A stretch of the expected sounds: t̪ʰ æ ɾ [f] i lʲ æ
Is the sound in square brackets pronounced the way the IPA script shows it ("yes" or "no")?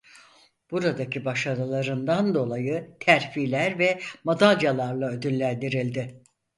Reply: yes